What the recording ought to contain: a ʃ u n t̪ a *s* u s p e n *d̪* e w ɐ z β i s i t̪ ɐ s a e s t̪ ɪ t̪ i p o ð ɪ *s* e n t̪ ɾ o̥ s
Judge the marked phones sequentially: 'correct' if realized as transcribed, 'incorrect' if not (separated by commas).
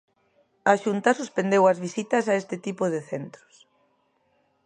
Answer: correct, correct, incorrect